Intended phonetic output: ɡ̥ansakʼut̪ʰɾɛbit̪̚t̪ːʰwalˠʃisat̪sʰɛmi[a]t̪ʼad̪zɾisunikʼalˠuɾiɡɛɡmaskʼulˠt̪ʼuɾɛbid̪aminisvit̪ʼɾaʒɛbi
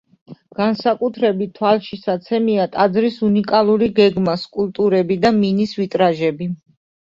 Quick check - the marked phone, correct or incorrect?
correct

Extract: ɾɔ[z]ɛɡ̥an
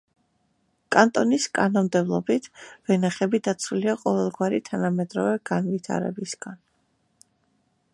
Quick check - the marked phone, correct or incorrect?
incorrect: v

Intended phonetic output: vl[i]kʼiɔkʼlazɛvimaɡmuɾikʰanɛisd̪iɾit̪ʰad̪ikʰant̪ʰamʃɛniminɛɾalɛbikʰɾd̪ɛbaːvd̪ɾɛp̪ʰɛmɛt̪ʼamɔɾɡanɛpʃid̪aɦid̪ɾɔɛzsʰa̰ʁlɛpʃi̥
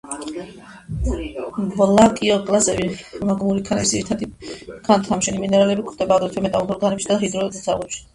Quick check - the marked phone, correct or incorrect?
incorrect: a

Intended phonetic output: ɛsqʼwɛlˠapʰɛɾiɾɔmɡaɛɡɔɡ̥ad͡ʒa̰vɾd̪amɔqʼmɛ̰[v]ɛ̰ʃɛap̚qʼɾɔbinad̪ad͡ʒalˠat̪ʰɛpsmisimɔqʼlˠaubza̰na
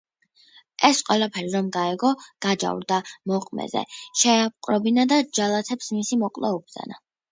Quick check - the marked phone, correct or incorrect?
incorrect: z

